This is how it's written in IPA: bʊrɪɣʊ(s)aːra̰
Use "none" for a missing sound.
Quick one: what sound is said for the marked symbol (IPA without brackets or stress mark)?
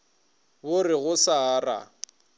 s